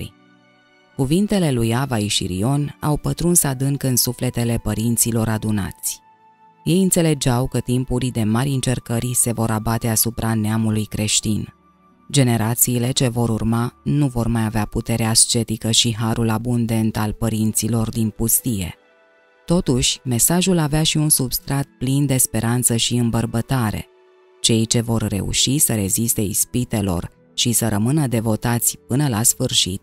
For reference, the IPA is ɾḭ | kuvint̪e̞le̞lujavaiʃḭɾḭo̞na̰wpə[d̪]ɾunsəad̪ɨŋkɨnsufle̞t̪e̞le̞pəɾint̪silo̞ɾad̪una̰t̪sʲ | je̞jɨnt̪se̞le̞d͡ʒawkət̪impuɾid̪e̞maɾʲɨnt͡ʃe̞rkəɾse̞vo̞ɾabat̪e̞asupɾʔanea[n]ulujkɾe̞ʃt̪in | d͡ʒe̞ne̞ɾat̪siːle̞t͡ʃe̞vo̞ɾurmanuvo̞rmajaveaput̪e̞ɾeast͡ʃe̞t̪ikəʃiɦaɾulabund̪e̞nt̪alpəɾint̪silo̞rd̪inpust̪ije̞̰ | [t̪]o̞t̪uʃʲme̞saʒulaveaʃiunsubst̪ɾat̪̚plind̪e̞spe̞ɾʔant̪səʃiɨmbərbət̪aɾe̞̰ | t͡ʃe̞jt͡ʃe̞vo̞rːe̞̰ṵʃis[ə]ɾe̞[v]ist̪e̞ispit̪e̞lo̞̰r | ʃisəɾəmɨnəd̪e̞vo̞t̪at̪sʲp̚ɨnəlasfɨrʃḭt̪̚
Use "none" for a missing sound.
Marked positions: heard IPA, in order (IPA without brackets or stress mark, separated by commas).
t̪, m, t̪, ə, z